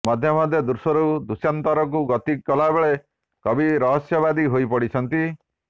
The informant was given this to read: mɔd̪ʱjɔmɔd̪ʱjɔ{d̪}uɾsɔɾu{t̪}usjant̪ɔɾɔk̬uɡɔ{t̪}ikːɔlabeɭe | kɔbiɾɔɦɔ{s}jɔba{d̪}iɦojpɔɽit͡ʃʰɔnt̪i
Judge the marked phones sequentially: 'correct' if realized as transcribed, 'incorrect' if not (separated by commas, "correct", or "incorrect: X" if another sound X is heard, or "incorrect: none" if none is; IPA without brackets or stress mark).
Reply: correct, incorrect: d̪, correct, correct, correct